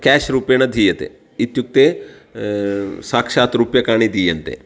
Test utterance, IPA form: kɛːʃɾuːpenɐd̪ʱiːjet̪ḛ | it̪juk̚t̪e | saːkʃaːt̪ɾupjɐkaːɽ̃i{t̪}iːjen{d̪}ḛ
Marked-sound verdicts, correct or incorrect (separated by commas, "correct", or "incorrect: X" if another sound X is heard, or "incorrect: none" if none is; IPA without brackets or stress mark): incorrect: d̪, incorrect: t̪